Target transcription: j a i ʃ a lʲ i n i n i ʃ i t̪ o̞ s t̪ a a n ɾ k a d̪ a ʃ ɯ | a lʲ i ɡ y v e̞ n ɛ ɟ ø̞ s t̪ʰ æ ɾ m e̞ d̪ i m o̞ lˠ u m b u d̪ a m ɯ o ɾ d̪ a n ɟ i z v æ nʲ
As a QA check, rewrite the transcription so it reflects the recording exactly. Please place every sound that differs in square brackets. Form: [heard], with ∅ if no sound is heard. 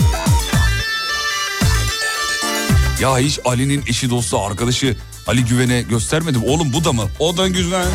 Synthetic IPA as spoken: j a i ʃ a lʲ i n i n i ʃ i [d̪] o̞ s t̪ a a [∅] ɾ k a d̪ a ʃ ɯ | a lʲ i [ɟ] y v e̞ n ɛ ɟ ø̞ s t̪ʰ æ ɾ m e̞ d̪ i m o̞ lˠ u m b u d̪ a m ɯ o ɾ d̪ a n ɟ [y] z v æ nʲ